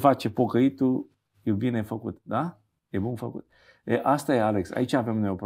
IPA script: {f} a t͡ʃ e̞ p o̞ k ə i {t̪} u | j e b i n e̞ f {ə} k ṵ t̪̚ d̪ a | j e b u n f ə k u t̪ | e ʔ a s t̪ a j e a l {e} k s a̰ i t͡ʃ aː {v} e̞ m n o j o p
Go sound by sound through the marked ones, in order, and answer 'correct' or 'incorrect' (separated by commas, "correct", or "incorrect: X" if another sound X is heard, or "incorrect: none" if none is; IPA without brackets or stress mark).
correct, correct, correct, correct, correct